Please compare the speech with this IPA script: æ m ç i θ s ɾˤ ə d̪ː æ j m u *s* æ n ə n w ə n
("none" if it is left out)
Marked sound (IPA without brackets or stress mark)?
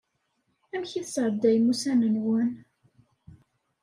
s